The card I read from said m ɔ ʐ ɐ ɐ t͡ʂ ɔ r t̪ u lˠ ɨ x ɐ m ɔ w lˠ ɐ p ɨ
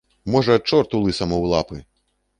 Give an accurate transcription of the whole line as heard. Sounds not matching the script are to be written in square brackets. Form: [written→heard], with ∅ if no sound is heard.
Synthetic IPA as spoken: m ɔ ʐ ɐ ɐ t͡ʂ ɔ r t̪ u lˠ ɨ [x→s] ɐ m ɔ w lˠ [ɐ→a] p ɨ